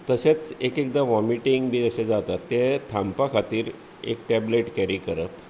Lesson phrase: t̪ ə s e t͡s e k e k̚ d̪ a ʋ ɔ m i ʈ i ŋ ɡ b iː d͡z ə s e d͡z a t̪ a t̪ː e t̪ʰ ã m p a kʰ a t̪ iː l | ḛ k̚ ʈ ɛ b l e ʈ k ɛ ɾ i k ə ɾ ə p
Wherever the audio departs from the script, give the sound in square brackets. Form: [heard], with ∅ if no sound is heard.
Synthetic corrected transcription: t̪ ə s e t͡s e k e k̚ d̪ a ʋ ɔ m i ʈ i ŋ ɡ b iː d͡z ə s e d͡z a t̪ a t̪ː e t̪ʰ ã m p a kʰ a t̪ iː [ɾ] | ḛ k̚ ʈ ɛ b l e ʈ k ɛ ɾ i k ə ɾ ə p